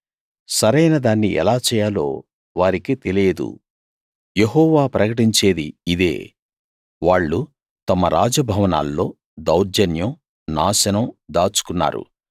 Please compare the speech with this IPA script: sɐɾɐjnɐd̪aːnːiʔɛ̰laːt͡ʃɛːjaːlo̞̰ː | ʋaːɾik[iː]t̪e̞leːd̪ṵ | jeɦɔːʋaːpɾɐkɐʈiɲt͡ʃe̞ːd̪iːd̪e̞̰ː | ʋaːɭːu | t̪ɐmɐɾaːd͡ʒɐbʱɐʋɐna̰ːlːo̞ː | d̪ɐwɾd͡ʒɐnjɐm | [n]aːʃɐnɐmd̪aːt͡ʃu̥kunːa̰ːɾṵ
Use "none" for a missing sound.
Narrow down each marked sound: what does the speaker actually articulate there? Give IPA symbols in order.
i, n

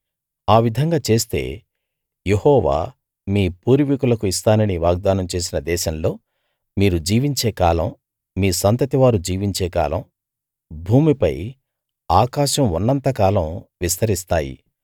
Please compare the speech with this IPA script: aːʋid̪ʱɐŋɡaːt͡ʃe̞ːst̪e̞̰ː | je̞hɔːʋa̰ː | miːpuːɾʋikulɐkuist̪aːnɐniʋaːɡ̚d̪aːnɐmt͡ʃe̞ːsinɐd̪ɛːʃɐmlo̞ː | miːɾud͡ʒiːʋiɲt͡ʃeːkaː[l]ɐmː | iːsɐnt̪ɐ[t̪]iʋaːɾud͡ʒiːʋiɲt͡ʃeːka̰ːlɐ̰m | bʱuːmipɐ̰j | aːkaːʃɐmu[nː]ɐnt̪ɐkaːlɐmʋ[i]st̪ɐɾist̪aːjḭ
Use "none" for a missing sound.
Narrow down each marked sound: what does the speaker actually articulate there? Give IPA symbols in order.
l, t̪, nː, i

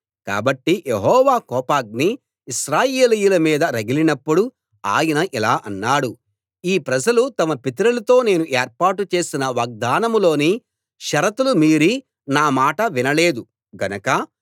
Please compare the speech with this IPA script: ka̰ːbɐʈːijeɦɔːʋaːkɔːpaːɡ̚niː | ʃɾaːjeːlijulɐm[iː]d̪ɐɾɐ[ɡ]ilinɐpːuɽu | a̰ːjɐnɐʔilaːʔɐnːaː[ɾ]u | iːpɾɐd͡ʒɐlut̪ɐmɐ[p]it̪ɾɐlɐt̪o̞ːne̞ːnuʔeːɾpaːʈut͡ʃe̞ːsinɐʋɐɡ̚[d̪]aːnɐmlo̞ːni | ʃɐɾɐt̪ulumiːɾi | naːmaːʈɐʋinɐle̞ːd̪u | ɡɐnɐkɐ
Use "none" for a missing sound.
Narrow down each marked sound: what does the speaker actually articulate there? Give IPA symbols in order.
iː, ɡ, ɽ, p, d̪

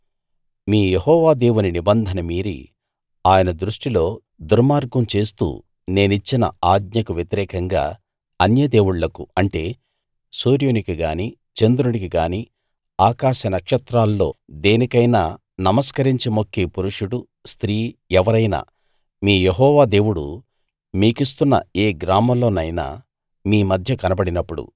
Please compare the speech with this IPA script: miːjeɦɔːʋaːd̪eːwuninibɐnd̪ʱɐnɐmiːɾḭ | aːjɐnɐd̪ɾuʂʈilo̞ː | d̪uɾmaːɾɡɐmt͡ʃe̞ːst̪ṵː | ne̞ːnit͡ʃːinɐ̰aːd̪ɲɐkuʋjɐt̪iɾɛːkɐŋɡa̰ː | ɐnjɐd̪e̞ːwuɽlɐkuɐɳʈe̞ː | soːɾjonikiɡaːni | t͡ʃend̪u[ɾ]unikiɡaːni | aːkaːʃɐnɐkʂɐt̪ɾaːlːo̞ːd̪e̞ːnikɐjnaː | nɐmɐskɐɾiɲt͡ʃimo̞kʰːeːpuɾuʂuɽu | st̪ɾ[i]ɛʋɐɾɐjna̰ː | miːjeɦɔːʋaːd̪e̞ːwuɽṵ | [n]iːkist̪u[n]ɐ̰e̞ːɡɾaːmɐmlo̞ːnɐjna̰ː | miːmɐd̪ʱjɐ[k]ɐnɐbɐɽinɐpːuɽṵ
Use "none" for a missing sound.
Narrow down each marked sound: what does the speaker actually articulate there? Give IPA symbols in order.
ɾ, iː, m, nː, k

